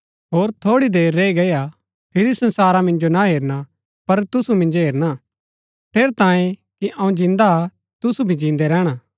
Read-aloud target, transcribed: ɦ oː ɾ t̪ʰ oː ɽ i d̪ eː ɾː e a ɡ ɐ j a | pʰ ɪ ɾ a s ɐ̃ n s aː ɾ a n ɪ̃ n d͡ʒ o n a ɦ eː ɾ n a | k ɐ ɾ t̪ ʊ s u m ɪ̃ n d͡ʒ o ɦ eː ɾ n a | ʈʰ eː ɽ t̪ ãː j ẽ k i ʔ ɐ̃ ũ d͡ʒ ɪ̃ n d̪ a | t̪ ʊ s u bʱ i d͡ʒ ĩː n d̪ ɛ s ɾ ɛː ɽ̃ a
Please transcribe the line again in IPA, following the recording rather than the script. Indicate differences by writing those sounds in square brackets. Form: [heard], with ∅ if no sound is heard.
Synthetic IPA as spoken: ɦ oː ɾ t̪ʰ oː ɽ i d̪ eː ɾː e [i] ɡ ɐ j a | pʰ ɪ ɾ [i] s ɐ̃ n s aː ɾ a [m] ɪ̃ n d͡ʒ o n a ɦ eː ɾ n a | [p] ɐ ɾ t̪ ʊ s u m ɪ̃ n d͡ʒ o ɦ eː ɾ n a | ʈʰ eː [ɾ] t̪ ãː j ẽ k i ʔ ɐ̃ ũ d͡ʒ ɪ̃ n d̪ a | t̪ ʊ s u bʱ i d͡ʒ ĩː n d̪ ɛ [∅] ɾ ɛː ɽ̃ a